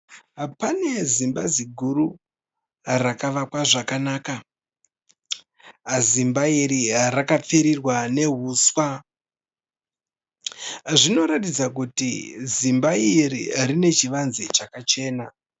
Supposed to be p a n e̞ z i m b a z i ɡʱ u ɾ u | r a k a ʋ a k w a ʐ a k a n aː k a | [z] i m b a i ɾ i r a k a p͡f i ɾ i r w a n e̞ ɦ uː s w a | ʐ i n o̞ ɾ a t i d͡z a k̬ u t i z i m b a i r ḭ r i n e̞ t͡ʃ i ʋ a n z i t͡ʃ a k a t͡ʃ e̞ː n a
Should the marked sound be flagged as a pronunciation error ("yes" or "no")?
no